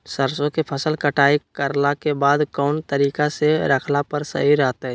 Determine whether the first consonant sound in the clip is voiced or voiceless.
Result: voiceless